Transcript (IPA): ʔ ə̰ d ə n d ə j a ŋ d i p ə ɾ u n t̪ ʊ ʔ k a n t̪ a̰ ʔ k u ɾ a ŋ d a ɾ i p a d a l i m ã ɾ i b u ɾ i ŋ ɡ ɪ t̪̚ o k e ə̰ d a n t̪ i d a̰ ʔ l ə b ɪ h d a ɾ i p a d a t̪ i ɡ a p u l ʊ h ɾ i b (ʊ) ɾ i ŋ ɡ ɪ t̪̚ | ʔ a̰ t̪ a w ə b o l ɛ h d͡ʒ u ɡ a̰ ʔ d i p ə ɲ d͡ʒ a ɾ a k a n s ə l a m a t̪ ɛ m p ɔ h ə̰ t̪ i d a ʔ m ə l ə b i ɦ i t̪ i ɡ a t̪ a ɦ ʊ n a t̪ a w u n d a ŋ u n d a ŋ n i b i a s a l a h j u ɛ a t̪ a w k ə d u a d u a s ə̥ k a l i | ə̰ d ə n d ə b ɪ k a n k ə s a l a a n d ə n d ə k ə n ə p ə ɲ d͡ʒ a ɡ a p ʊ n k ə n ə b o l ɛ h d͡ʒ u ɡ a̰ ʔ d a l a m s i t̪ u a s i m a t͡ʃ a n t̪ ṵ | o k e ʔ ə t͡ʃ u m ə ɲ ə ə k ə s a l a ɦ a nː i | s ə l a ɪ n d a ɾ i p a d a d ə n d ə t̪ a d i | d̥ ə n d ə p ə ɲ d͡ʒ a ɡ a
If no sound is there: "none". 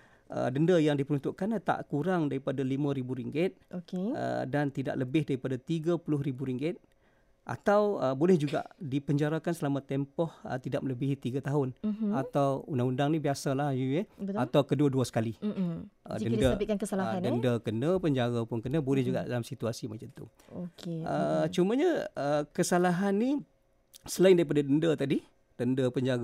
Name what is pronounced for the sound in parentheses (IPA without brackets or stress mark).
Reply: u